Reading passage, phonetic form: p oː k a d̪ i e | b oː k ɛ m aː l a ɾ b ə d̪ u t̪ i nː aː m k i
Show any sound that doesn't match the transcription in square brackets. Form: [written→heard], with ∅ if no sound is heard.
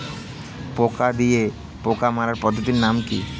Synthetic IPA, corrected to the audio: p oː k a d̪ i e | [b→p] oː k [ɛ→a] m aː [l→ɾ] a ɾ [b→p] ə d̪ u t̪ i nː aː m k i